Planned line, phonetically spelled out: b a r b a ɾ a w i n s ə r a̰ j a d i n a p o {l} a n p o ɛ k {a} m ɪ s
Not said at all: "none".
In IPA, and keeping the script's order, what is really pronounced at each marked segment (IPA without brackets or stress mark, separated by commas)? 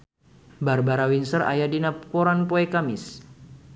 ɾ, a